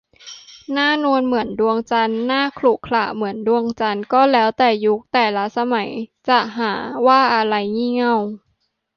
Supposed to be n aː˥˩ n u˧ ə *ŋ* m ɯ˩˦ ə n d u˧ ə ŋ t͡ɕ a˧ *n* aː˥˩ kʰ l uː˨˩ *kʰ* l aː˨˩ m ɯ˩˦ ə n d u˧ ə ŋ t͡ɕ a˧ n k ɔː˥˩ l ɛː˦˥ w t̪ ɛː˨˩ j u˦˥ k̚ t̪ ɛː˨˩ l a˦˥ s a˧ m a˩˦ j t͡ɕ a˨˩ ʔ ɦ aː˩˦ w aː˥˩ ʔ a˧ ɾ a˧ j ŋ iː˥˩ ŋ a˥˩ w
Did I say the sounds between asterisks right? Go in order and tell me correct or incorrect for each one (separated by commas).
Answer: incorrect, incorrect, correct